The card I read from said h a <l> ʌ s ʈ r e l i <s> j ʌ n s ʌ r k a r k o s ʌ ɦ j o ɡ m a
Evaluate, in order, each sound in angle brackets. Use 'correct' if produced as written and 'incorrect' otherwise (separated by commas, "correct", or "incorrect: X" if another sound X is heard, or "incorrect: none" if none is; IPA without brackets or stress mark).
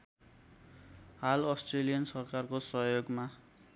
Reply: correct, incorrect: none